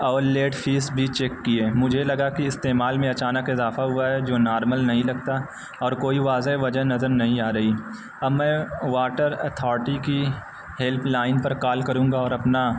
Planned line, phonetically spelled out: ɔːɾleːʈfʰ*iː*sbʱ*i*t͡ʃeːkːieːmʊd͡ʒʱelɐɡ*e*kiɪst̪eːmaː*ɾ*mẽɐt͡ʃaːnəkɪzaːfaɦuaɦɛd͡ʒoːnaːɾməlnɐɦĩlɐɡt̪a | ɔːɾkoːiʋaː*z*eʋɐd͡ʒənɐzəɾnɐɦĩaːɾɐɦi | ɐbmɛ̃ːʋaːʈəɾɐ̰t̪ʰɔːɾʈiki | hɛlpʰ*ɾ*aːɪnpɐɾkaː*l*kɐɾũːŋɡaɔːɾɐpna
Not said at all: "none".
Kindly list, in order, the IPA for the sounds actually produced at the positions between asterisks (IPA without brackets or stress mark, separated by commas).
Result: iː, i, a, l, z, l, l